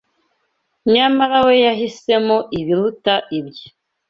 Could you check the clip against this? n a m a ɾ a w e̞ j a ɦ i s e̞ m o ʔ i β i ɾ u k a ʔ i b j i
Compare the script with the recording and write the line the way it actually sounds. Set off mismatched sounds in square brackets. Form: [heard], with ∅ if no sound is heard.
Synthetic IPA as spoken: [ɲ] a m a ɾ a w e̞ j a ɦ i s e̞ m o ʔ i β i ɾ u [t] a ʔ i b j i